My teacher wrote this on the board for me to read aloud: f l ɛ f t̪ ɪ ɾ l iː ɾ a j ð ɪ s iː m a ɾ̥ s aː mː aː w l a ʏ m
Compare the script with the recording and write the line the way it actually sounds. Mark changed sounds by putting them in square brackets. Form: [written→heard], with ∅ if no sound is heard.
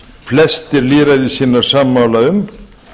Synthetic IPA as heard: f l ɛ [f→s] t̪ ɪ ɾ l iː ɾ a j ð ɪ s iː [m→n] a ɾ̥ s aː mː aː w l a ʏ m

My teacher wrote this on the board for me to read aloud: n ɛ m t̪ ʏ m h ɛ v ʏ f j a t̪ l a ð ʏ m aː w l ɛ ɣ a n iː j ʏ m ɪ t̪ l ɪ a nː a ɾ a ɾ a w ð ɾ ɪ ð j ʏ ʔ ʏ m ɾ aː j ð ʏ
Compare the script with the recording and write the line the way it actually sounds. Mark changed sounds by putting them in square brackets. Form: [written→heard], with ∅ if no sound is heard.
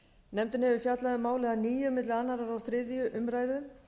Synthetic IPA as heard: n ɛ m t̪ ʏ [m→n] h ɛ v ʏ f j a t̪ l a ð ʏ m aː w l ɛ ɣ a n iː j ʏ m ɪ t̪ l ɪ a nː a ɾ a ɾ a w [ð→θ] ɾ ɪ ð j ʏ ʔ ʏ m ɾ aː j ð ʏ

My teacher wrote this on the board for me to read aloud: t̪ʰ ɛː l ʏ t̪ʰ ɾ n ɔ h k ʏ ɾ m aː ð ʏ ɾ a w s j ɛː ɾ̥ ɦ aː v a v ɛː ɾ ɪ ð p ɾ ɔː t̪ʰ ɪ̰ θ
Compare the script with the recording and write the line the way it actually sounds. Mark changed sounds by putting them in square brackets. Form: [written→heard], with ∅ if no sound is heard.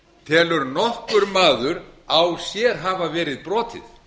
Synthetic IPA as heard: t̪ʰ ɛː l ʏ [t̪ʰ→∅] ɾ n ɔ h k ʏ ɾ m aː ð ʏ ɾ a w s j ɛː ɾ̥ ɦ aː v a v ɛː ɾ ɪ ð p ɾ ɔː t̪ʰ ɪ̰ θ

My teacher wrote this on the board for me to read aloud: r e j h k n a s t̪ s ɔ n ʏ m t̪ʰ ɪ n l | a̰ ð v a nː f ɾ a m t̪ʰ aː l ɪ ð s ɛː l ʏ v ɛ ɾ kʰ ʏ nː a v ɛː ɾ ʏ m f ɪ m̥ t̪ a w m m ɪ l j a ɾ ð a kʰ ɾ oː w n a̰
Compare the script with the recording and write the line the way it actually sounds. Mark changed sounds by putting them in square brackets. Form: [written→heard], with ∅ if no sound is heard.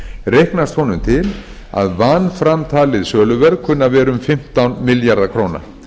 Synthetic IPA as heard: r e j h k n a s t̪ [s→h] ɔ n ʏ m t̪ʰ ɪ [n→∅] l | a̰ ð v a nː f ɾ a m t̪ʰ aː l ɪ ð s [ɛː→œː] l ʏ v ɛ ɾ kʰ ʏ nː a v ɛː ɾ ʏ m f ɪ m̥ t̪ a w [m→n] m ɪ l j a ɾ ð a kʰ ɾ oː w n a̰

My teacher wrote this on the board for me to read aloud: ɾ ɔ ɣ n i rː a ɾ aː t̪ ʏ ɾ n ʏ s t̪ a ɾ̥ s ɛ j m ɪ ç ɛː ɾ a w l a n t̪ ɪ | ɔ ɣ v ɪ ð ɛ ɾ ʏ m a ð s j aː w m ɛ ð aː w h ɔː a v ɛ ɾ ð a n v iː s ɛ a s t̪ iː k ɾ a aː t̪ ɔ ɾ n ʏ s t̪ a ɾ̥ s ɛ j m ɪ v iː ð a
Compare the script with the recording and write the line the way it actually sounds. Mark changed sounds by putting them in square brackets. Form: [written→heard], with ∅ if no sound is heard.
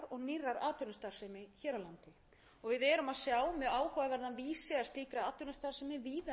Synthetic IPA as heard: ɾ ɔ ɣ n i rː a ɾ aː t̪ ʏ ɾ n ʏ s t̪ a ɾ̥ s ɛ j m ɪ ç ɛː ɾ a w l a n t̪ ɪ | ɔ ɣ v ɪ ð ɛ ɾ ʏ m a ð s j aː w m ɛ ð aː w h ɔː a v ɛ ɾ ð a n v iː s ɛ a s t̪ iː k ɾ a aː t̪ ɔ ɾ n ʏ s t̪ a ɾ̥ s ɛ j m ɪ v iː ð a

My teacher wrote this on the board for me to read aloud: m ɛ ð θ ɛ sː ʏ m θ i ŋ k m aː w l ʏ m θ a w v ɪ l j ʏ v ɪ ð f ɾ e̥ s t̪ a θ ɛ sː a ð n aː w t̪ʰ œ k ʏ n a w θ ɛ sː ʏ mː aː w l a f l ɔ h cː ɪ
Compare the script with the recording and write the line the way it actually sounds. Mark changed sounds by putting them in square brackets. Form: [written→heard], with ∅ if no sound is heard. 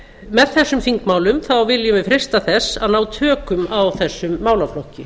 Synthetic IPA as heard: m ɛ ð θ ɛ sː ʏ m [θ→f] i ŋ k m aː w l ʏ m θ a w v ɪ l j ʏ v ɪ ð f ɾ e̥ s t̪ a θ ɛ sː a ð n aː w t̪ʰ [œ→œː] k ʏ [n→m] a w θ ɛ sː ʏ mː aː w l a f l ɔ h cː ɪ

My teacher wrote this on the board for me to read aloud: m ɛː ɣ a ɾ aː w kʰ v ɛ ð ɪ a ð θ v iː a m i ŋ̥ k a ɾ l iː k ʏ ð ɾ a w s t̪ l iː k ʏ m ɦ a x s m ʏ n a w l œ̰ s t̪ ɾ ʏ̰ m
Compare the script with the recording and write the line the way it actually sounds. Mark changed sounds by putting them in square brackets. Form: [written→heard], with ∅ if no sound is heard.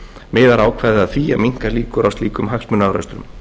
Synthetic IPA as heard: m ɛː [ɣ→ð] a ɾ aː w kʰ v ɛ ð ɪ a ð θ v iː a m i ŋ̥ k a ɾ l iː k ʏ [ð→∅] ɾ a w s t̪ l iː k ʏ m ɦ a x s m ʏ n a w [l→ɾ] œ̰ s t̪ ɾ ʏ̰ m

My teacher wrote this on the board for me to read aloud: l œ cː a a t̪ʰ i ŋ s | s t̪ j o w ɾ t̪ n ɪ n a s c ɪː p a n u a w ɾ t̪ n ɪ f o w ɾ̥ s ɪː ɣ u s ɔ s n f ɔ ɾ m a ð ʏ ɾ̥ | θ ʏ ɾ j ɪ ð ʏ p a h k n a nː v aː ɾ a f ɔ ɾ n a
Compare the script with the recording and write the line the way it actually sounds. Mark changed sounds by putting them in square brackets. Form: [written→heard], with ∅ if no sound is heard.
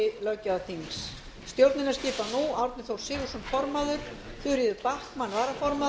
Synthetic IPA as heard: l œ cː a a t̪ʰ i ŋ s | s t̪ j o w ɾ t̪ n ɪ n a s c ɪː p a n u a w ɾ t̪ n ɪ [f→θ] o w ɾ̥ s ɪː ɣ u s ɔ [s→∅] n f ɔ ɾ m a ð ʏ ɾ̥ | θ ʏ ɾ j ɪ ð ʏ p a h k [n→m] a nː v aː ɾ a f ɔ ɾ [n→m] a

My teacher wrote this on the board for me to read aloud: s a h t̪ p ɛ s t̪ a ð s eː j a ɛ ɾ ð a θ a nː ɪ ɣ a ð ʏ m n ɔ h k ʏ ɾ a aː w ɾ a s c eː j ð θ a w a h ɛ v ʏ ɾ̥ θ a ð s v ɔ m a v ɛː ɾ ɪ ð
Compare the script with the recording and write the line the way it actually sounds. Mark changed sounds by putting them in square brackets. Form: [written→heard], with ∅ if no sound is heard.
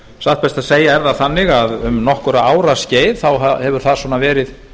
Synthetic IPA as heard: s a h t̪ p ɛ s t̪ a ð s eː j a ɛ ɾ ð a θ a nː ɪ ɣ a ð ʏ m n ɔ h k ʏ ɾ a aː w ɾ a s c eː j ð θ a w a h ɛ v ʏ ɾ̥ θ a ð s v ɔ [m→n] a v ɛː ɾ ɪ ð

